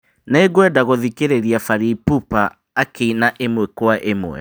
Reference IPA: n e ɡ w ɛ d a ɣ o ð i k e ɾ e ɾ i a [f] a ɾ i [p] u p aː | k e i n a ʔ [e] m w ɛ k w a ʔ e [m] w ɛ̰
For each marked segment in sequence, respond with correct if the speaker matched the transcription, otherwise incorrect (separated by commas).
correct, correct, correct, correct